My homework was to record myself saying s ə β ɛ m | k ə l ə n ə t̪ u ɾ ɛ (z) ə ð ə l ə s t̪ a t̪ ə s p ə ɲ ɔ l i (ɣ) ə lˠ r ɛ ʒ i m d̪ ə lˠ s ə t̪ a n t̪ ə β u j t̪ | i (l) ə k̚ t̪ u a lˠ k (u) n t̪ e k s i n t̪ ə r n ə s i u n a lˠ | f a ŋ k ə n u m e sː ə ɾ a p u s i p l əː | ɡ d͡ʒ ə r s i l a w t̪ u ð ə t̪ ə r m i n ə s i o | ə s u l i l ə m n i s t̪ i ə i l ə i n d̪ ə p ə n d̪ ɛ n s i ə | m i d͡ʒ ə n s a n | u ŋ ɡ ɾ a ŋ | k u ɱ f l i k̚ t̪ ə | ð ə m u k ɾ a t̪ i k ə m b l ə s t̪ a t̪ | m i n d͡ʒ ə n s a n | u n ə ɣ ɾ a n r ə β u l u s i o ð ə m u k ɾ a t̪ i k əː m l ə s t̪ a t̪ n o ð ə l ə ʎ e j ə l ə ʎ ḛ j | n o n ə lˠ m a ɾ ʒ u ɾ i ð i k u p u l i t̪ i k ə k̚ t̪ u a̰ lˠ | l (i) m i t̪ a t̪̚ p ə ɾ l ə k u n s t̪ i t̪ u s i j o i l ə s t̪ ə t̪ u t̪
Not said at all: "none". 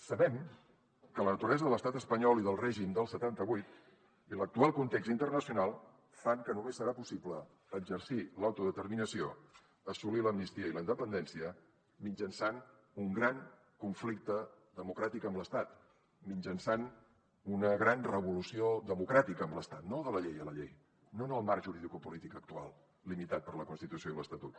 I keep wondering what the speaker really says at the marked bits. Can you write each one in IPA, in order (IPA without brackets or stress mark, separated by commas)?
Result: z, ð, l, u, i